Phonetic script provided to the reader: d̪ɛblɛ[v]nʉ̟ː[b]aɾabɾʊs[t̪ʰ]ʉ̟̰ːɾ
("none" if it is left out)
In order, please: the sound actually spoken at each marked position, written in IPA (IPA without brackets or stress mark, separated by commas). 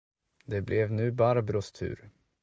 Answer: v, b, t̪ʰ